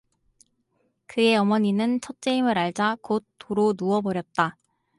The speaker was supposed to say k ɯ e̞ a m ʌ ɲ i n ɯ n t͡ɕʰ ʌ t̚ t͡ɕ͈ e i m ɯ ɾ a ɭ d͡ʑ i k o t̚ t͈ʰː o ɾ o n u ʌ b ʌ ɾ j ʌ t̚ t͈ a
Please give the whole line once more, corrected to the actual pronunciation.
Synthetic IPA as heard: k ɯ e̞ ʌ m ʌ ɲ i n ɯ n t͡ɕʰ ʌ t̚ t͡ɕ͈ e i m ɯ ɾ a ɭ d͡ʑ a k o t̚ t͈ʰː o ɾ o n u ʌ b ʌ ɾ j ʌ t̚ t͈ a